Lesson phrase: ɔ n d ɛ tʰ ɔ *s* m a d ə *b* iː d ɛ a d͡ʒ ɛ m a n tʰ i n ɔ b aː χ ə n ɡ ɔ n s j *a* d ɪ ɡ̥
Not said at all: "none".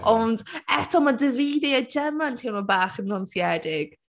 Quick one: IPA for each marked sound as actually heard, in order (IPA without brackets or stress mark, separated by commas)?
none, v, ɛ